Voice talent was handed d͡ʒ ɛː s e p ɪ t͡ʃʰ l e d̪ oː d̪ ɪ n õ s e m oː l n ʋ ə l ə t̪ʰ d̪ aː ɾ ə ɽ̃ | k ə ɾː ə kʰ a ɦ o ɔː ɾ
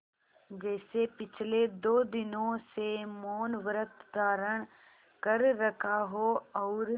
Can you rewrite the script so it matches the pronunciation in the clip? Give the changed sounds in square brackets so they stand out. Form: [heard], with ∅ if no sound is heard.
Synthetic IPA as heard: d͡ʒ ɛː s e p ɪ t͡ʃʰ l e d̪ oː d̪ ɪ n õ s e m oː [∅] n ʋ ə [ɾ] ə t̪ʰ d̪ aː ɾ ə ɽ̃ | k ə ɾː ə kʰ a ɦ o ɔː ɾ